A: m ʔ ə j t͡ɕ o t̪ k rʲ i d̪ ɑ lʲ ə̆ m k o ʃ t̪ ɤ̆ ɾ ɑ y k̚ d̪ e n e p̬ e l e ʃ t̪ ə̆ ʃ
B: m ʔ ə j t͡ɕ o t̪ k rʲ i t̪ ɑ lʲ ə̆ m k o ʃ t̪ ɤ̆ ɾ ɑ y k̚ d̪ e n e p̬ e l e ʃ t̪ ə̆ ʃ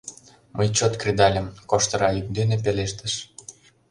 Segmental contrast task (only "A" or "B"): A